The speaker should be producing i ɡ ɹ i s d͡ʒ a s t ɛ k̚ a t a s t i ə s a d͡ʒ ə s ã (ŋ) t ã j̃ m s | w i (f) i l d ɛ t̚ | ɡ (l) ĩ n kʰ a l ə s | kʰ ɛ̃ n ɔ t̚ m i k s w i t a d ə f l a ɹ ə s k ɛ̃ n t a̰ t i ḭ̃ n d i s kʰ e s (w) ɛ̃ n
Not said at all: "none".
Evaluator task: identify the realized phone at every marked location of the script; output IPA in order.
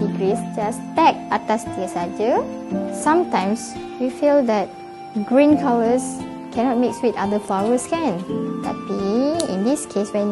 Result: m, f, ɹ, w

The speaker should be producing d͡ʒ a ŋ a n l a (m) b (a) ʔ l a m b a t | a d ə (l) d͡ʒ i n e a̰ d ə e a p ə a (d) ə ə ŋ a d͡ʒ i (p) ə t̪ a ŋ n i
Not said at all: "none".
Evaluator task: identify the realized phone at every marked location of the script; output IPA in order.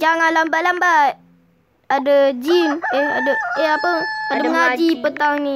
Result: m, a, none, d, p

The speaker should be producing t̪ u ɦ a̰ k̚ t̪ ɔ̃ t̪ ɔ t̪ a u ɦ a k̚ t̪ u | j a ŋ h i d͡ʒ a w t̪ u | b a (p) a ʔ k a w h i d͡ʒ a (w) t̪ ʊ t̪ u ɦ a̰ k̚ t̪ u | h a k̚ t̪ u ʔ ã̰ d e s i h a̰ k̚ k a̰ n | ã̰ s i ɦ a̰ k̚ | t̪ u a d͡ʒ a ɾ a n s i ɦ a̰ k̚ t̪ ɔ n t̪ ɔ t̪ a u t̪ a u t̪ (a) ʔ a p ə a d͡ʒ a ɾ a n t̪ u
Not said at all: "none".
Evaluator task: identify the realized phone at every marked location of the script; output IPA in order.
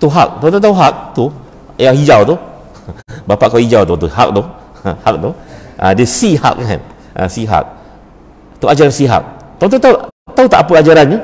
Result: p, w, a

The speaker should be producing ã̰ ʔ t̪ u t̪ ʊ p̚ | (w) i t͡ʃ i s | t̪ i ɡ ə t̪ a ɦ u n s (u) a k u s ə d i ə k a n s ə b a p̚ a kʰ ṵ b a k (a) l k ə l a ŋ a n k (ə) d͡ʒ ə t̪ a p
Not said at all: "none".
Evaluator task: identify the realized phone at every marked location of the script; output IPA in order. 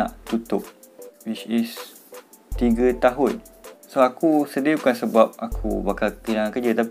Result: w, o, a, ə

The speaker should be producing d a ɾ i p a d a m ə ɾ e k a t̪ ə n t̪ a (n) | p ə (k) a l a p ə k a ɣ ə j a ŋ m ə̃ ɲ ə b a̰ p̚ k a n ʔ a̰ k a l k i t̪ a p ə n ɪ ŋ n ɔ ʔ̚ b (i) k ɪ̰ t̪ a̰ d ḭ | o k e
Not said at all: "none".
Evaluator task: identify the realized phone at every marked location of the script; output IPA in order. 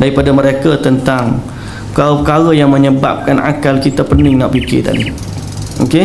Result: ŋ, k, i

